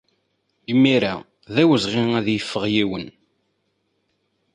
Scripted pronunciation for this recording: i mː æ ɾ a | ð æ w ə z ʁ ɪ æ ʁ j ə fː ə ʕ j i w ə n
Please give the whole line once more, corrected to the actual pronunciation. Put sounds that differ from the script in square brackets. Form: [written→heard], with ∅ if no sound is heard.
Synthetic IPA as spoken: i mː [æ→i] ɾ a | ð æ w ə z ʁ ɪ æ [ʁ→ð] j ə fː ə [ʕ→ʁ] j i w ə n